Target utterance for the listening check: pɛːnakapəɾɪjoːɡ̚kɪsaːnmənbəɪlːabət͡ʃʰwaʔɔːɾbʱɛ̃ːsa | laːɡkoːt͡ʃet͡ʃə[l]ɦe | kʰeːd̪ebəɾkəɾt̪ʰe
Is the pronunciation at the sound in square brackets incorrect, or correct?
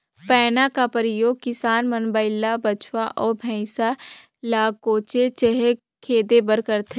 incorrect